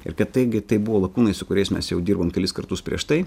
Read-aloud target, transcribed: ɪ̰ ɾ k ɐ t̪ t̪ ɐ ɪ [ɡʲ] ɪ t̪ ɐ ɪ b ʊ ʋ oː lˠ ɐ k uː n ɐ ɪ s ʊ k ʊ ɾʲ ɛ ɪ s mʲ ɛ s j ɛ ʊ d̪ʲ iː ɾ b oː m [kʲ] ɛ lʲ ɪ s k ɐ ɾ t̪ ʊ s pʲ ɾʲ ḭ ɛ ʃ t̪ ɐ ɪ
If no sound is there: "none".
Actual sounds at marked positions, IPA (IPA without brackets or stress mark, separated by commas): ɡʲ, kʲ